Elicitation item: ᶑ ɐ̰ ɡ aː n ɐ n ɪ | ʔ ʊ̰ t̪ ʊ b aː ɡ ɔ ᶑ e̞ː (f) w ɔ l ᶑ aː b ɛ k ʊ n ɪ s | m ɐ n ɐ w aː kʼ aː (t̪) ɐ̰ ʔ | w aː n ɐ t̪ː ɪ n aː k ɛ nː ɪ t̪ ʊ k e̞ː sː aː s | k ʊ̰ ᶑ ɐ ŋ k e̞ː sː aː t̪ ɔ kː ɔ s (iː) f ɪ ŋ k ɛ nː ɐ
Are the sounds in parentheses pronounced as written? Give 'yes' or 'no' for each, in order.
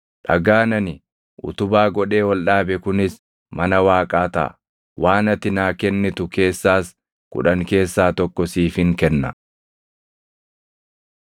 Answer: no, yes, yes

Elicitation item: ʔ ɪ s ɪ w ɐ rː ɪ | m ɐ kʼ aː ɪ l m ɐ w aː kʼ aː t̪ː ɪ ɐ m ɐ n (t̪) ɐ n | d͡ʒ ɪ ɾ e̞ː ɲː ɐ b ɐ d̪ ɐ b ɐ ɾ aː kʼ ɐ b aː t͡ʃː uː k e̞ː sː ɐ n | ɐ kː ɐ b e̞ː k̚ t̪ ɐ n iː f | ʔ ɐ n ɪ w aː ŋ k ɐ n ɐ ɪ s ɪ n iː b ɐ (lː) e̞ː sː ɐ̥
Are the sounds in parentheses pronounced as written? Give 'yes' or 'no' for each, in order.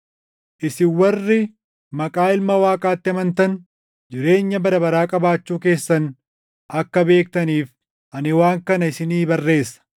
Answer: yes, no

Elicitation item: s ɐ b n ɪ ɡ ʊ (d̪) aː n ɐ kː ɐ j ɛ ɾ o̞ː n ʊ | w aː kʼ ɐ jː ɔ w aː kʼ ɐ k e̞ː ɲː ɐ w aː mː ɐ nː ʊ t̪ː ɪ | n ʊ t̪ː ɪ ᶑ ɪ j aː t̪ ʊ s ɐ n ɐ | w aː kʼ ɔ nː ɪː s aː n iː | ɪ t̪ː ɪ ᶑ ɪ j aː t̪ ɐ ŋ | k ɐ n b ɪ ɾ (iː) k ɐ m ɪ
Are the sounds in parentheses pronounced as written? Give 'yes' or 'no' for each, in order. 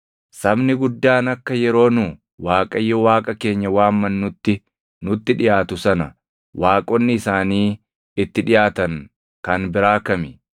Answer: no, no

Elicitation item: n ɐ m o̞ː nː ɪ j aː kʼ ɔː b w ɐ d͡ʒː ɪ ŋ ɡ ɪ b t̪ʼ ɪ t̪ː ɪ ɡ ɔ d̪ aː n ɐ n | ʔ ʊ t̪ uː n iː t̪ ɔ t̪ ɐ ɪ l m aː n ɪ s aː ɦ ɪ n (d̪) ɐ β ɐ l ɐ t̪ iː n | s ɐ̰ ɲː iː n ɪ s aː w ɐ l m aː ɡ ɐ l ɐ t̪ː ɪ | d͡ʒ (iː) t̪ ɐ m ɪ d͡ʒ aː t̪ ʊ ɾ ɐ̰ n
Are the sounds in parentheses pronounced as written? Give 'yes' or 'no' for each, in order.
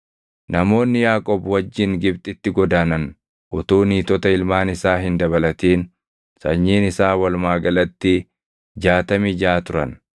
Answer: yes, no

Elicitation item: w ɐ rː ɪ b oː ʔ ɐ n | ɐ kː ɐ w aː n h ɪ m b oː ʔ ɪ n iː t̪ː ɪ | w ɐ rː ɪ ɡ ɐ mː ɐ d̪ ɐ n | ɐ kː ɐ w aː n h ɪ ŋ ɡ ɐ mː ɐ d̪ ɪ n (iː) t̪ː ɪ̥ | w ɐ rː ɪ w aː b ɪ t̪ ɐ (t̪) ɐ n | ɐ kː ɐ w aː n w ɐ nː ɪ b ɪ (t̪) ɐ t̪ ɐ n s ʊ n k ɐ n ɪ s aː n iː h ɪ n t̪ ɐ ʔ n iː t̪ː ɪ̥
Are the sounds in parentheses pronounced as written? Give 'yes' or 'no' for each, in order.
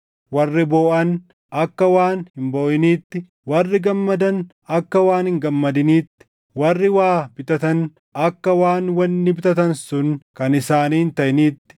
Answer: yes, yes, yes

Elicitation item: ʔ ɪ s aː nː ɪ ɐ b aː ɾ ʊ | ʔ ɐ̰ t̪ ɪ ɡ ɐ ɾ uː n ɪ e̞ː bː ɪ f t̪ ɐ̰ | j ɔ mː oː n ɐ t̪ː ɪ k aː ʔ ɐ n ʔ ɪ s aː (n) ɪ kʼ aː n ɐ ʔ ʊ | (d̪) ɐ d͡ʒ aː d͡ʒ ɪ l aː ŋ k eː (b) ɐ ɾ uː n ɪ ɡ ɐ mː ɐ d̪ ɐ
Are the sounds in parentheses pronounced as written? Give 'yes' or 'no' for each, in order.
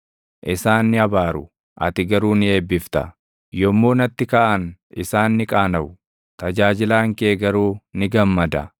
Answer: no, no, no

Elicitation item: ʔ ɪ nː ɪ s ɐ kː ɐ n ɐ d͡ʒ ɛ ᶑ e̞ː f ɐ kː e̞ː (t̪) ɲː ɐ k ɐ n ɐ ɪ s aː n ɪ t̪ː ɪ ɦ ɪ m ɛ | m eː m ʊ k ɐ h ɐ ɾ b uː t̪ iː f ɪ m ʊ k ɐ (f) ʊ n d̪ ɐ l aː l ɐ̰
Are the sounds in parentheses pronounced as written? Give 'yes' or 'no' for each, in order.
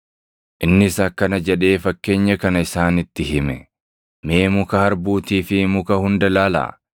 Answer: no, no

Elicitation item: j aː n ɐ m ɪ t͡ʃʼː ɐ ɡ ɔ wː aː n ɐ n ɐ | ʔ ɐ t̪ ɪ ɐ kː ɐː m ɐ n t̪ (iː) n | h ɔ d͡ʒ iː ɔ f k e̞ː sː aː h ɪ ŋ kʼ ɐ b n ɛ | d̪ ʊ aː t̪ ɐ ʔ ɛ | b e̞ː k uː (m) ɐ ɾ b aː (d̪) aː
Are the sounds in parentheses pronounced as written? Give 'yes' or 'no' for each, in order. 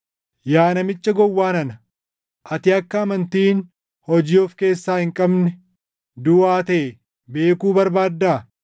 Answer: yes, no, no

